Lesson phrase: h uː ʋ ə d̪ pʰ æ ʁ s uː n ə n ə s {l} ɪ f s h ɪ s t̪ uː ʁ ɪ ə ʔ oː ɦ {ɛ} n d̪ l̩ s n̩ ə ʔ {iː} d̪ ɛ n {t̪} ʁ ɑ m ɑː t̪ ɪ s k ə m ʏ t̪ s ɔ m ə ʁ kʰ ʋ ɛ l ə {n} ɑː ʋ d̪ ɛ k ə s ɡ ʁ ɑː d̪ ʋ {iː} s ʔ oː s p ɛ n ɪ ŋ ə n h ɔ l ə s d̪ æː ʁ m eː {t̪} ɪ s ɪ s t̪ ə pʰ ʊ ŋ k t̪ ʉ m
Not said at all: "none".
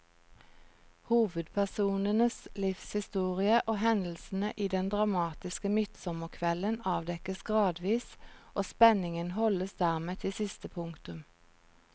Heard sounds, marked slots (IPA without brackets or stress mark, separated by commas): l, ɛ, iː, d̪, n, iː, t̪ʰ